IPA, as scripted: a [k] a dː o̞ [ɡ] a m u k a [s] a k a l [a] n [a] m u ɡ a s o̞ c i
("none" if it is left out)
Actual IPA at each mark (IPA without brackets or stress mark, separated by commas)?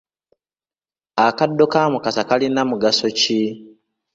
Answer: k, k, s, i, a